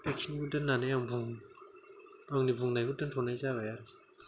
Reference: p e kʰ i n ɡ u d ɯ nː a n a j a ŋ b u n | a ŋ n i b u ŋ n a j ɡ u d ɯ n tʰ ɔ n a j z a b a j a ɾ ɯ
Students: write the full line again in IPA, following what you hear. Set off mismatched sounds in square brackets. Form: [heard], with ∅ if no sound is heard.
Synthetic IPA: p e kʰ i n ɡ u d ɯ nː a n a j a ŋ b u [ŋ] | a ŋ n i b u ŋ n a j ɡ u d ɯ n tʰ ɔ n a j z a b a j a ɾ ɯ

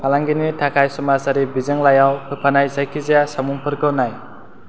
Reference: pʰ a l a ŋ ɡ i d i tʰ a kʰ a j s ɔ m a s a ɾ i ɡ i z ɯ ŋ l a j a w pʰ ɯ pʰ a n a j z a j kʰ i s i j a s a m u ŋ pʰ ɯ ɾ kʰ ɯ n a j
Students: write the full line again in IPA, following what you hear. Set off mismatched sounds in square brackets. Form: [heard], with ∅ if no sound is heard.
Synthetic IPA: pʰ a l a ŋ ɡ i [n] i tʰ a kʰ a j s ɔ m a s a ɾ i [b] i z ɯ ŋ l a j a w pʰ ɯ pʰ a n a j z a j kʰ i [z] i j a s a m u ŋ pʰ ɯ ɾ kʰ ɯ n a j

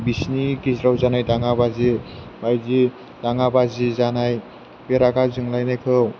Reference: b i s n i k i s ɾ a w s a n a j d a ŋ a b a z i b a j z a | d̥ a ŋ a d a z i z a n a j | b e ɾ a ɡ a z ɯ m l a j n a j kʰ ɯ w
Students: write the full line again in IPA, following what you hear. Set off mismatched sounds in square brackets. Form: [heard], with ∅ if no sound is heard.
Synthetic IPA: b i s n i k i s ɾ a w [z] a n a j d a ŋ a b a z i b a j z [i] | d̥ a ŋ a [b] a z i z a n a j | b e ɾ a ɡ a z ɯ [ŋ] l a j n a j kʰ ɯ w

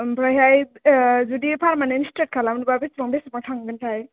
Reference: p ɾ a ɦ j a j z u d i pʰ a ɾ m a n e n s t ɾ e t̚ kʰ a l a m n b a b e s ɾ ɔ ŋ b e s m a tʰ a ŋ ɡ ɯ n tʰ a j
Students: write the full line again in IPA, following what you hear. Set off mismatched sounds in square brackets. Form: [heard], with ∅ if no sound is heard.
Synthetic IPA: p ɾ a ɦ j a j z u d i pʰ a ɾ m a n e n s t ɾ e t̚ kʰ a l a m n b a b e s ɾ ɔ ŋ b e s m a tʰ a ŋ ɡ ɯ n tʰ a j

